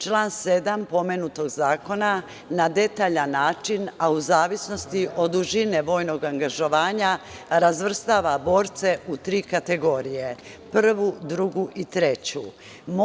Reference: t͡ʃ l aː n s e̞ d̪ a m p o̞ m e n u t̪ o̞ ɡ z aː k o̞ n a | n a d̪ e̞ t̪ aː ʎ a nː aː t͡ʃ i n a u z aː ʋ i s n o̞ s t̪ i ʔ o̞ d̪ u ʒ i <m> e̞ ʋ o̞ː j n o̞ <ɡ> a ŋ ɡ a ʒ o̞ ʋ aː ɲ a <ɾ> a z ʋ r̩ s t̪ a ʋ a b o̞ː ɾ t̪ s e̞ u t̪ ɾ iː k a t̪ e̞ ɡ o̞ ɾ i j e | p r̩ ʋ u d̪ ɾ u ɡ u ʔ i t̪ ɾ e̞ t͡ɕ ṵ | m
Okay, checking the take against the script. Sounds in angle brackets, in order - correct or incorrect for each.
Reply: incorrect, correct, correct

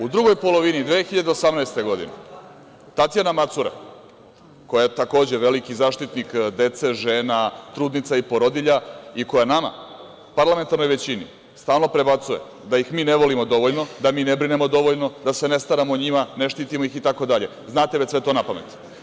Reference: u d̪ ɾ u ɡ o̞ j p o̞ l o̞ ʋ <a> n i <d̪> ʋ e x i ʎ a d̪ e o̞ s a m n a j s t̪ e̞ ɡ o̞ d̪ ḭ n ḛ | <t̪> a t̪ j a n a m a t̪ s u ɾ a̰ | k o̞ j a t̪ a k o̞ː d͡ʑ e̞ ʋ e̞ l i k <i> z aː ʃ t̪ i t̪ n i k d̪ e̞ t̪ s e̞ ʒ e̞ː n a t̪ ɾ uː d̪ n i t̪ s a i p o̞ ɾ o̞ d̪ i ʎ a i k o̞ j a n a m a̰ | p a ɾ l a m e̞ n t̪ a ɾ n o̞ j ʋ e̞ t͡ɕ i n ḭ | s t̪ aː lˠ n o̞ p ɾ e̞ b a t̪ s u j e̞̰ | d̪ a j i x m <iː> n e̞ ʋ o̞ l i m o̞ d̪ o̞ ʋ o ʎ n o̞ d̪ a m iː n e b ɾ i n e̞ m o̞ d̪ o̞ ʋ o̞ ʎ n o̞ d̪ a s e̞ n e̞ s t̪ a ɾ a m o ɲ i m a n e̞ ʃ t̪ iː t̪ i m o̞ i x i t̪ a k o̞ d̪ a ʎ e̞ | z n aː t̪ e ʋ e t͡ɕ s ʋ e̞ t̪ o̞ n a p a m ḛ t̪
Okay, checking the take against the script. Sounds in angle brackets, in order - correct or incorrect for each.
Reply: incorrect, correct, correct, correct, correct

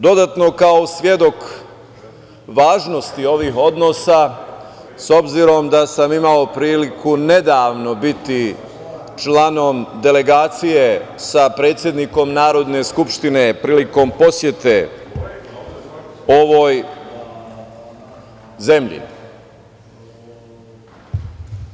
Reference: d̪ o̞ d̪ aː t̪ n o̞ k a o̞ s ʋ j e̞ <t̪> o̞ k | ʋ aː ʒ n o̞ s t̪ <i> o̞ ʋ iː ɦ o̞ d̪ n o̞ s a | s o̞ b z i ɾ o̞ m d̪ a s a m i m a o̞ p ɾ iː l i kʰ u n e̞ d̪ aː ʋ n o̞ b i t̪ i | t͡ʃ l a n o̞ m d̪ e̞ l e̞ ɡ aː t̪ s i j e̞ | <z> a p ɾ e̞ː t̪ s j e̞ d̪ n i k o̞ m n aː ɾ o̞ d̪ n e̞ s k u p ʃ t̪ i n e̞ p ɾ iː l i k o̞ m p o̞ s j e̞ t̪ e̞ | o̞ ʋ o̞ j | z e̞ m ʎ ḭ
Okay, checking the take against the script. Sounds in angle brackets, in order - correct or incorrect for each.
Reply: incorrect, correct, incorrect

